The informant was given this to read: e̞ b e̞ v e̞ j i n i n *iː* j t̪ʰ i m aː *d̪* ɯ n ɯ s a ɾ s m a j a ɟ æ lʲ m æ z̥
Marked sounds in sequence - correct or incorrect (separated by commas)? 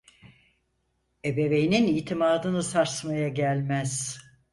incorrect, correct